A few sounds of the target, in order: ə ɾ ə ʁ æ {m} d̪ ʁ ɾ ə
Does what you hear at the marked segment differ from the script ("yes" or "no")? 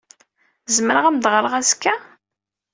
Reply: no